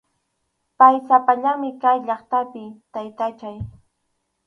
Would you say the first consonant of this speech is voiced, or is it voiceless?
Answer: voiceless